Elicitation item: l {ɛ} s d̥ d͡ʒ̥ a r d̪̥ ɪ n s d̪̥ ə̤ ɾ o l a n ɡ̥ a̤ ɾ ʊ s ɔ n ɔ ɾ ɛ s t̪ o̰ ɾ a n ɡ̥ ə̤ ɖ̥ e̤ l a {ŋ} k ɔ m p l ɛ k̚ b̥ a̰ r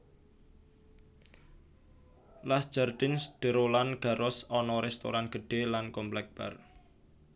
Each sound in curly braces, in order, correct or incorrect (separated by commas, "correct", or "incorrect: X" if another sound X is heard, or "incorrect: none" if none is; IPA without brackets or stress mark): incorrect: a, incorrect: n